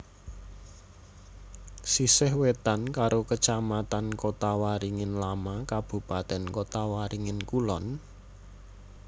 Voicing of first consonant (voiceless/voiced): voiceless